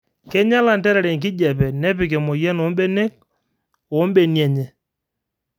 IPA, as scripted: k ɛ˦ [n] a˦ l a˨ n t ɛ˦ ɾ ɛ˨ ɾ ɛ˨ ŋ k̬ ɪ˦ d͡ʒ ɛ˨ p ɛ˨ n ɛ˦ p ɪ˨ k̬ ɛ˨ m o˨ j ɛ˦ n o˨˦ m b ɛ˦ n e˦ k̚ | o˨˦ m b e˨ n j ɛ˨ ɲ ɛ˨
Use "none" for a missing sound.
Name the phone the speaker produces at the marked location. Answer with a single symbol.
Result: ɲ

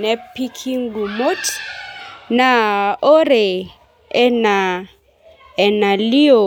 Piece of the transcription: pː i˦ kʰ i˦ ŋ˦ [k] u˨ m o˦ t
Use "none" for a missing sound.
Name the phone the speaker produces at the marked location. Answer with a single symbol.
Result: ɡ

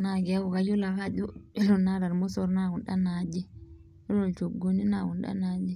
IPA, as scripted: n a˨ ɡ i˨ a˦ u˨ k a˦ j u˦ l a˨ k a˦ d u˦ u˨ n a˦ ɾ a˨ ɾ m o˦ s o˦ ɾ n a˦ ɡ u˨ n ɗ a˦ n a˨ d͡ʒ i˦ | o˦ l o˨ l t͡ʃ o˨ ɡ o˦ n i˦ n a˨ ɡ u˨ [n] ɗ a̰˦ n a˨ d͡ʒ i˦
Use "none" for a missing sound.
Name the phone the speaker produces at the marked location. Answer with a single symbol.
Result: n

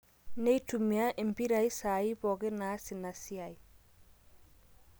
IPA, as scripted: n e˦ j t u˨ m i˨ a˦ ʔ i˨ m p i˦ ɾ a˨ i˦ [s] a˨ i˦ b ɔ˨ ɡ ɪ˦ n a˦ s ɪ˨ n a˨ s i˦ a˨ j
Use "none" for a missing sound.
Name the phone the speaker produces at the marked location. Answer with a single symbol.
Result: s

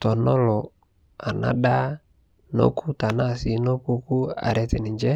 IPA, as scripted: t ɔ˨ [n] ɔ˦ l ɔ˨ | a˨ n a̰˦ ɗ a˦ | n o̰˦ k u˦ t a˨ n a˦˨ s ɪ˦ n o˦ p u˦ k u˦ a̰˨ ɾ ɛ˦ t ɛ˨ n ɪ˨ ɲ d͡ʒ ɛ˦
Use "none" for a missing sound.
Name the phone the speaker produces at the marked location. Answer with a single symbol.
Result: n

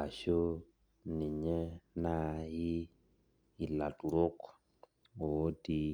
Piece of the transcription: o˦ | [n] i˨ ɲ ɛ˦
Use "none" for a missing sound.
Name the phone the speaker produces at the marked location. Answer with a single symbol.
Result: n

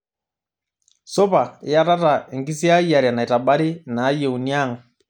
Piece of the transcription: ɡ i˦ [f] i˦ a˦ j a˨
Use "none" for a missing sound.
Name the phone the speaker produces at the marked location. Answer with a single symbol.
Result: s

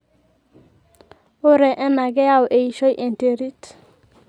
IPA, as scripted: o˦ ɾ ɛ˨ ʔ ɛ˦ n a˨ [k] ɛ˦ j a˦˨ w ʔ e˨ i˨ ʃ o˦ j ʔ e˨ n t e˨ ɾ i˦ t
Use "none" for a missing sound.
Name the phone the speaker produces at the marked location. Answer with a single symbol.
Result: ɡ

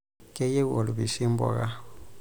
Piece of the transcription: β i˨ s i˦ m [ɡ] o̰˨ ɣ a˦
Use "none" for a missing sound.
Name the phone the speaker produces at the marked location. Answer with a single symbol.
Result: b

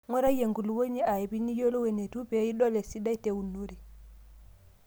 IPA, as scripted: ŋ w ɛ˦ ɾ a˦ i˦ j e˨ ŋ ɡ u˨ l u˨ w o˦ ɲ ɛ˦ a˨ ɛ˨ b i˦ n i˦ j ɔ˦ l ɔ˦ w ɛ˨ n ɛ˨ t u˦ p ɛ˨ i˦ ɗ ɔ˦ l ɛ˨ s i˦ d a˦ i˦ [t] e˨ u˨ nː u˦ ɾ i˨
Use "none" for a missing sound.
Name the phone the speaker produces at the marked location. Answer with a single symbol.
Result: t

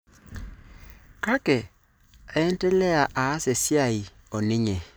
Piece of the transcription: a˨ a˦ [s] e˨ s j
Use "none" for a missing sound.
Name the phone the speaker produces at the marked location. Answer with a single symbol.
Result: s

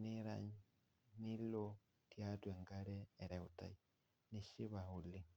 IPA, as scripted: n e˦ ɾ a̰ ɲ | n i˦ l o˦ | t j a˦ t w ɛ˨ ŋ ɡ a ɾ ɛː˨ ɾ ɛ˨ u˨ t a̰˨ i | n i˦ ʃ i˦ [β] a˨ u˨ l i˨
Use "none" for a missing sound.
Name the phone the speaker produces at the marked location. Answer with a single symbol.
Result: β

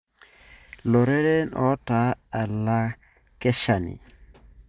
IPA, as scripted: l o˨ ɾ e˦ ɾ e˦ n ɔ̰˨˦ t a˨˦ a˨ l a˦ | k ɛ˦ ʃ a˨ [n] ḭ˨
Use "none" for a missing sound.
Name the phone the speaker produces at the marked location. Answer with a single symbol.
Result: n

